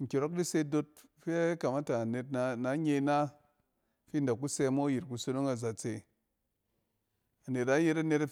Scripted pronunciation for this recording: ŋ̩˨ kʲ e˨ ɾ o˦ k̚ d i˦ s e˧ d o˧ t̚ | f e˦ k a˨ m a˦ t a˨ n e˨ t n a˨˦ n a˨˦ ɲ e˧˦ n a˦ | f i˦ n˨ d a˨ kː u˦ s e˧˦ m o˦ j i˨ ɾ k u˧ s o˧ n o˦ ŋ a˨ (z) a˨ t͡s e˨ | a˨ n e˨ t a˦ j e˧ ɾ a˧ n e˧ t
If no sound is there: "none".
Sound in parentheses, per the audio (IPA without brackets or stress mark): z